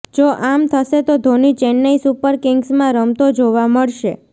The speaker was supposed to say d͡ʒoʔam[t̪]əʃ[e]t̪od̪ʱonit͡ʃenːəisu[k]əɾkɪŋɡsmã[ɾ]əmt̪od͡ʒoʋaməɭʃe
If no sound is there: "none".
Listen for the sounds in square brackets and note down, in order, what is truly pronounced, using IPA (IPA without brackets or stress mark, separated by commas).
t̪ʰ, e, p, ɾ